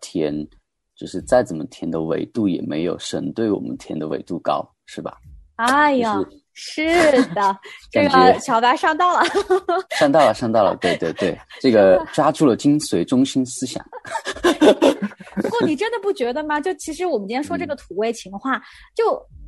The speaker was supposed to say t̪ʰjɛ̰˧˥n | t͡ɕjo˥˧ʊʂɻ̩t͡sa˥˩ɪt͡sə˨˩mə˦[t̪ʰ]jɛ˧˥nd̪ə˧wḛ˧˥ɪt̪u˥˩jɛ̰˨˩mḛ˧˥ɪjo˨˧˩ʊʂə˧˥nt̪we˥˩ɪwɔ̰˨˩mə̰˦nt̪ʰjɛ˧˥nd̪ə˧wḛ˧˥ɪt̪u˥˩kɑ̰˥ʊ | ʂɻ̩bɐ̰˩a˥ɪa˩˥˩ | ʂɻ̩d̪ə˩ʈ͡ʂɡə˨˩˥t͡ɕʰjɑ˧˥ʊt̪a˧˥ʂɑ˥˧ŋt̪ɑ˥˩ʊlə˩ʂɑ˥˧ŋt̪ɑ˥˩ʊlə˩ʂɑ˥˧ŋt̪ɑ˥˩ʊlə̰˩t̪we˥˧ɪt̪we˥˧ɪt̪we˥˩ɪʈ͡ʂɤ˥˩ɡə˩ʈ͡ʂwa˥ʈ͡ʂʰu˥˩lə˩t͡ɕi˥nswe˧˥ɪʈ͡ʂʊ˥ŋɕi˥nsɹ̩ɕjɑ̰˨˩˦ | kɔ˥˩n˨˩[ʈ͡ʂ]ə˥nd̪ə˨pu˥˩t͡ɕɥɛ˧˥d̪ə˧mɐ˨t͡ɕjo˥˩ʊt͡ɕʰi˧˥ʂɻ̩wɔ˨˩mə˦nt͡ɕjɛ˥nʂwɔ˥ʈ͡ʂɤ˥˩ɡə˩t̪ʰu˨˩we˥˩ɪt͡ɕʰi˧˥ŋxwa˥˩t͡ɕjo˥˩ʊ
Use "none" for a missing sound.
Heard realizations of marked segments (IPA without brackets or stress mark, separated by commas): t̪ʰ, ʈ͡ʂ